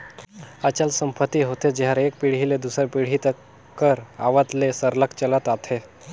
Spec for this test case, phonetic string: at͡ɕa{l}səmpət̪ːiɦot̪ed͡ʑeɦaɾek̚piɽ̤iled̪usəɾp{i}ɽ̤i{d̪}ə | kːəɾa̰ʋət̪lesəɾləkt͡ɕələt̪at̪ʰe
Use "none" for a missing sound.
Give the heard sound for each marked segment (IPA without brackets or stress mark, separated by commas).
l, i, t̪